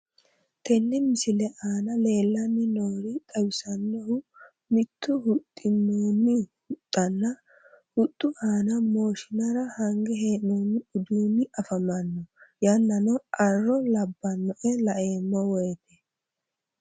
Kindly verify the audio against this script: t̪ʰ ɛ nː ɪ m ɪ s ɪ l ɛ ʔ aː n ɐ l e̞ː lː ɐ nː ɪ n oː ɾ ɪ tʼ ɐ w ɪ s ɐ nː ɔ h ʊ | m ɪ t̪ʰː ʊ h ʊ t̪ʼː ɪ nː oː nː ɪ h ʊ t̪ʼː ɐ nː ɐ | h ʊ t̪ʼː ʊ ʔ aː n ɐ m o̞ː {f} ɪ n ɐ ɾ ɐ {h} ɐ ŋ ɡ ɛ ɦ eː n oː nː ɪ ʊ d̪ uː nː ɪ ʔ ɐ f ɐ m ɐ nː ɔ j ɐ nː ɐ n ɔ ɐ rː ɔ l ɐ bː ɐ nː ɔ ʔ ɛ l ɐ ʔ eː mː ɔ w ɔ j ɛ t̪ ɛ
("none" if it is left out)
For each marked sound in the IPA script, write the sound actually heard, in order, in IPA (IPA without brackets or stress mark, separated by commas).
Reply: ʃ, h